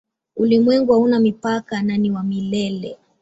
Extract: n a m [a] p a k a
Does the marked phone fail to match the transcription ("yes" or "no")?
yes